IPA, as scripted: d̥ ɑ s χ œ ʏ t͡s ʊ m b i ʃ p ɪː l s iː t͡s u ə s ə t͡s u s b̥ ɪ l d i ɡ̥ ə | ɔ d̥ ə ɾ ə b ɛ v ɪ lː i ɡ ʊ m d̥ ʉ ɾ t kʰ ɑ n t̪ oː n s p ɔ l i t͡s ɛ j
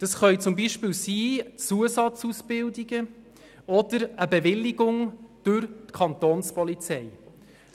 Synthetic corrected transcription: d̥ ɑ s χ œ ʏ t͡s ʊ m b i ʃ p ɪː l s iː t͡s u ə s ɑ t͡s u s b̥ ɪ l d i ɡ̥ ə | ɔ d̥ ə ɾ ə b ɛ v ɪ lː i ɡ ʊ ŋ d̥ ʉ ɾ t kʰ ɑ n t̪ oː n s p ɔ l i t͡s ɛ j